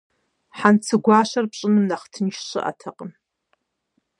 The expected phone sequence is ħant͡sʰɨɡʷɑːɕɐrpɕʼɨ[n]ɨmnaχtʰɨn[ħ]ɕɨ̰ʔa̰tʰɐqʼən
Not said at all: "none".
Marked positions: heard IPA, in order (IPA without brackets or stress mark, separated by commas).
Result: n, ʃ